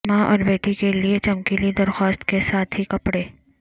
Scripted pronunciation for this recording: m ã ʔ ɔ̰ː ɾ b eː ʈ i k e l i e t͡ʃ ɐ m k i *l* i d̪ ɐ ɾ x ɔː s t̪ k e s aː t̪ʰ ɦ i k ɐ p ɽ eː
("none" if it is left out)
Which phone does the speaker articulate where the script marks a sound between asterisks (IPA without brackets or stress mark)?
l